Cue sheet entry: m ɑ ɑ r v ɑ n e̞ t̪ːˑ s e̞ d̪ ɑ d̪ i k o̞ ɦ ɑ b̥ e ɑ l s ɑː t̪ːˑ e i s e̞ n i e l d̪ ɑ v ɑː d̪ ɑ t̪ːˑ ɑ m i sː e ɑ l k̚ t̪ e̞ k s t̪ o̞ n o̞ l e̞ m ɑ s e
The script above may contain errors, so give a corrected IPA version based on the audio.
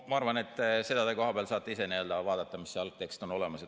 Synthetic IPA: m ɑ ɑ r v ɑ n e̞ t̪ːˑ s e̞ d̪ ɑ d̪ e k o̞ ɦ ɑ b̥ e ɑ l s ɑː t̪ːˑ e i s e̞ n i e l d̪ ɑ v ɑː d̪ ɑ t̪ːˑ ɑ m i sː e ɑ l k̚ t̪ e̞ k s t̪ o̞ n o̞ l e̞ m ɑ s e